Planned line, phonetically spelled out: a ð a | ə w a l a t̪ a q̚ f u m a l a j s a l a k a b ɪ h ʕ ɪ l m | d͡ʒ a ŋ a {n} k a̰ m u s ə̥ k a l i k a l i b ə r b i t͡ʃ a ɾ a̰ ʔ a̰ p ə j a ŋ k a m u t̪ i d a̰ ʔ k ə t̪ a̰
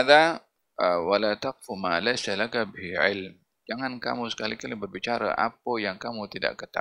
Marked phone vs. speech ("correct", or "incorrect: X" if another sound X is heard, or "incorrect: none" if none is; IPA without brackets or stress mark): correct